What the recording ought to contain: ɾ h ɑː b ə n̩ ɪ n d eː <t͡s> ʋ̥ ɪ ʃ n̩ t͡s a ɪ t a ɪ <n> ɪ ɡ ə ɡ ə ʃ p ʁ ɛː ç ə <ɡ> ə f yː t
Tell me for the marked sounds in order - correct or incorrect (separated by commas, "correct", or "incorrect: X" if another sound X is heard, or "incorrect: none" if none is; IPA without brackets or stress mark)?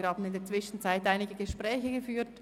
correct, correct, correct